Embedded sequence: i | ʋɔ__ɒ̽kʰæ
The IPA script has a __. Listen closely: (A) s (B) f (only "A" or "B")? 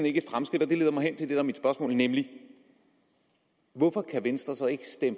B